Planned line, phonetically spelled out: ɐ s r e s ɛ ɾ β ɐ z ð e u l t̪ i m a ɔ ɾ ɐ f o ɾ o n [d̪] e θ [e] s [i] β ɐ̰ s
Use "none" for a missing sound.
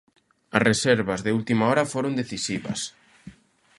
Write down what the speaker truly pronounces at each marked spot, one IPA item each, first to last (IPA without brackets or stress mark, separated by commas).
d̪, i, i